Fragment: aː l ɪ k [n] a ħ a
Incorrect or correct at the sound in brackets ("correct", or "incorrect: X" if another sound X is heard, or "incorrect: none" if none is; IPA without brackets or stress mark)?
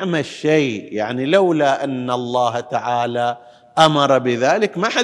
incorrect: m